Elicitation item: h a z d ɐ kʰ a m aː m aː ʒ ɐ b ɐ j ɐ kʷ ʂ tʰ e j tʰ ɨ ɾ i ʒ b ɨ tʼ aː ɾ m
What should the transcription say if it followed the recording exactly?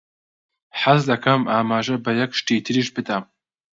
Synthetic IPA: ħ a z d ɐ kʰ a m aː m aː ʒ ɐ b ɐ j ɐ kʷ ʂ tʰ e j tʰ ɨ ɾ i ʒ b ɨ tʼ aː m